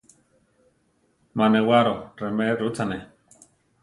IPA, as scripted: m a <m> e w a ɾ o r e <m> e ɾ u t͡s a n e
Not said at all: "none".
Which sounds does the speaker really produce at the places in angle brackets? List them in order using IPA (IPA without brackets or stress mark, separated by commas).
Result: n, m